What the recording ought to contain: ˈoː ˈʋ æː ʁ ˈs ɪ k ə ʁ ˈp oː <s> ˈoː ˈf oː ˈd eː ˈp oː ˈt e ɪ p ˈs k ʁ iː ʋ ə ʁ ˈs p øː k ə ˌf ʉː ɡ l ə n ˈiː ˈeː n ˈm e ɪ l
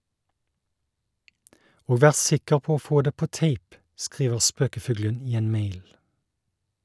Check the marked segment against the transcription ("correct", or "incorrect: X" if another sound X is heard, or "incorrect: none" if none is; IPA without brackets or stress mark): incorrect: none